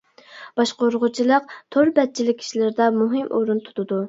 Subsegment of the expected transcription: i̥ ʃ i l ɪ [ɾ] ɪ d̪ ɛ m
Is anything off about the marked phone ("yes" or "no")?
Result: no